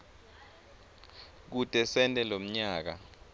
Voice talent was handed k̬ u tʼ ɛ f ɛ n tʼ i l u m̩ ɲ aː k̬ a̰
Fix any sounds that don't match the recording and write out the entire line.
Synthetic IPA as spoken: k̬ u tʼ ɛ s ɛ n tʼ ɛ l o m̩ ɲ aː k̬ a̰